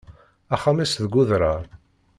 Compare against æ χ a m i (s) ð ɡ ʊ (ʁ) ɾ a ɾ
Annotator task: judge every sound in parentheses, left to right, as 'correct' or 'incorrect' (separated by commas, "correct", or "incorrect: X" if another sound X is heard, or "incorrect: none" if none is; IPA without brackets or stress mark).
correct, incorrect: ð